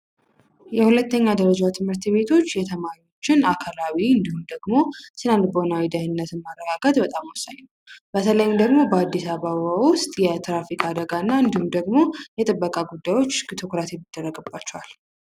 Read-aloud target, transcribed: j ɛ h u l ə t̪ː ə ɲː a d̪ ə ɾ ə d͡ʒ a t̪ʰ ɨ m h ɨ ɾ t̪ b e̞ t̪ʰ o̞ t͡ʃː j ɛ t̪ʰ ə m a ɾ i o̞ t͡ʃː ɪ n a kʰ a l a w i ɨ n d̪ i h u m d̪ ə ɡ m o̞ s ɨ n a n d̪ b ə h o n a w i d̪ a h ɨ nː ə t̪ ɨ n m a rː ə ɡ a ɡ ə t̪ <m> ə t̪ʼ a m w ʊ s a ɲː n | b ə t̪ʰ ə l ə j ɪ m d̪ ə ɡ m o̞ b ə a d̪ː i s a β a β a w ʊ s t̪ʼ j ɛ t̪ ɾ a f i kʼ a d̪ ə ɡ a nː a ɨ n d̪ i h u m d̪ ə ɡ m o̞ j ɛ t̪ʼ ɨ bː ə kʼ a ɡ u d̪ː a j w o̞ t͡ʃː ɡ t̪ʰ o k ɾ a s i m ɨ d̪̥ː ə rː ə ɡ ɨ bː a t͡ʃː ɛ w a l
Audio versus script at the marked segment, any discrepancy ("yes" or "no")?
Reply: yes